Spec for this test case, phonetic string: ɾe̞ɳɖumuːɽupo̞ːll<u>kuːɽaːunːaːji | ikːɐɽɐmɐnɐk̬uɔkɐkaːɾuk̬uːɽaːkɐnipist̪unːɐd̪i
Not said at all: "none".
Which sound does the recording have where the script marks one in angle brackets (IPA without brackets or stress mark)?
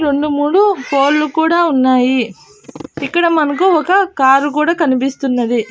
u